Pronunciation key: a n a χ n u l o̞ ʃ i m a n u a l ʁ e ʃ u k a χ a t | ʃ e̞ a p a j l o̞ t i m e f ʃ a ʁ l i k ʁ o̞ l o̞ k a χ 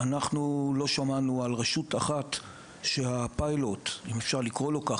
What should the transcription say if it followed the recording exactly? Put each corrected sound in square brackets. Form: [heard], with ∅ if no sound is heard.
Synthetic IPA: a n a χ n u l o̞ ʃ [a] m a n u a l ʁ e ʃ u [t] a χ a t | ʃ e̞ a p a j l o̞ t i m e f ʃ a ʁ l i k ʁ o̞ l o̞ k a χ